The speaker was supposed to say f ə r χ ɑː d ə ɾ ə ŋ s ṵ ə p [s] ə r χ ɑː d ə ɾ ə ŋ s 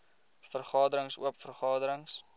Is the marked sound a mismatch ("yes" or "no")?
yes